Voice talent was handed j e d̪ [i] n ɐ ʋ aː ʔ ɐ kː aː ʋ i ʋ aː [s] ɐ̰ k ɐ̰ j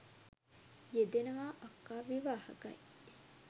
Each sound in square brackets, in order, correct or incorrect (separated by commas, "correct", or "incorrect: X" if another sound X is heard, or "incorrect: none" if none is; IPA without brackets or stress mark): incorrect: e, incorrect: h